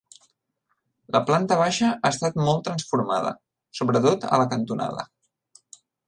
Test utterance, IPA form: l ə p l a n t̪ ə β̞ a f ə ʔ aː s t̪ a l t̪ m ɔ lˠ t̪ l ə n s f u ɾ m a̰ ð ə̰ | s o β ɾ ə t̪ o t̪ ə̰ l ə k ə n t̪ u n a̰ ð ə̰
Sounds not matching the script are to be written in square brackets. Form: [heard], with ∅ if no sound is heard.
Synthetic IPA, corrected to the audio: l ə p l a n t̪ ə β̞ a [ʃ] ə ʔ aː s t̪ a [∅] t̪ m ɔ lˠ t̪ [ɾ] ə n s f u ɾ m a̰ ð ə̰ | s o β ɾ ə t̪ o t̪ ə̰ l ə k ə n t̪ u n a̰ ð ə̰